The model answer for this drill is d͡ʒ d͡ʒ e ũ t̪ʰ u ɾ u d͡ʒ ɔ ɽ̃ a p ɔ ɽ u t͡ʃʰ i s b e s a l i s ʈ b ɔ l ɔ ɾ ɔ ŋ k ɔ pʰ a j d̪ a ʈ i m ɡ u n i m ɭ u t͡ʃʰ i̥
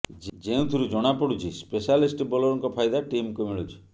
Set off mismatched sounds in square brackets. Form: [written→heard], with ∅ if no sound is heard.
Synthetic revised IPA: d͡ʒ d͡ʒ e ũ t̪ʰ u ɾ u d͡ʒ ɔ ɽ̃ a p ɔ ɽ u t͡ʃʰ i s [b→p] e s a l i s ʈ b ɔ l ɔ ɾ ɔ ŋ k ɔ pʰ a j d̪ a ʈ i m [ɡ→k] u [n→m] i [m→∅] ɭ u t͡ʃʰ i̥